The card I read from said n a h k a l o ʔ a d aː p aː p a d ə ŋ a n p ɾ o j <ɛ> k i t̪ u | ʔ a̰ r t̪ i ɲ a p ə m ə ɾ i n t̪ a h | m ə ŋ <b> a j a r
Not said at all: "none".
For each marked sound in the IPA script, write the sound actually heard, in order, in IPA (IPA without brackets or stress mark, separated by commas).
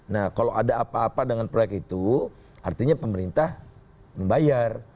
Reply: ɛ, b